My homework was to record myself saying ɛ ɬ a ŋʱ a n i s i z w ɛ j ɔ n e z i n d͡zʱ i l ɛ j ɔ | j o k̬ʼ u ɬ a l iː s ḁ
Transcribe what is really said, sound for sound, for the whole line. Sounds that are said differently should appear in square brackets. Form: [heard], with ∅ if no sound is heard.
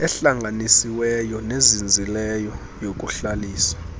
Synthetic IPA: ɛ ɬ a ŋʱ a n i s i [∅] w ɛ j ɔ n e z i n d͡zʱ i l ɛ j ɔ | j o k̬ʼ u ɬ a l iː s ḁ

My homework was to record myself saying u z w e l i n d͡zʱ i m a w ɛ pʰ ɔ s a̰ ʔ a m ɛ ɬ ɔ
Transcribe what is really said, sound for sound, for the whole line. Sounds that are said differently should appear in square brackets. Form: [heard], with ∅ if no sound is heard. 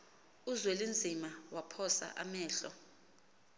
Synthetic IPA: u z w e l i n d͡zʱ i m a w [a] pʰ ɔ s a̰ ʔ a m [ɛː] ɬ ɔ

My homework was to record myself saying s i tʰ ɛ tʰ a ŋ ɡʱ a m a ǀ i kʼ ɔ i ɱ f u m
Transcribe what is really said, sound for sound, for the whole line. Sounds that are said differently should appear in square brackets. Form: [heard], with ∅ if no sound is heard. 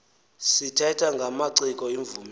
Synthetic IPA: s i tʰ ɛ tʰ a ŋ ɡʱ a m a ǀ i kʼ ɔ i ɱ [v] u m

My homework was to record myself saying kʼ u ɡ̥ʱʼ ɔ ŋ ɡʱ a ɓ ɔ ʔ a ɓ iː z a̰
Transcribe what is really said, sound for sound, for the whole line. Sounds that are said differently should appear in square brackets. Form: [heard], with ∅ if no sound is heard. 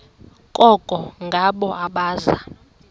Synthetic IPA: kʼ [ɔ] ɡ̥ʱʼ ɔ ŋ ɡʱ a ɓ ɔ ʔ a ɓ [aː] z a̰

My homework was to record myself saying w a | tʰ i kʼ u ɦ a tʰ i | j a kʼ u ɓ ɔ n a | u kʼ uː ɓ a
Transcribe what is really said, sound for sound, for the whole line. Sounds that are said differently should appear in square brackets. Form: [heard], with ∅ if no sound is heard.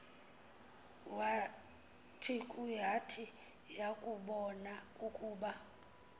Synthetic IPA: w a | tʰ i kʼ u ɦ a tʰ i | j a kʼ u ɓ ɔ n a | u kʼ uː ɓ a

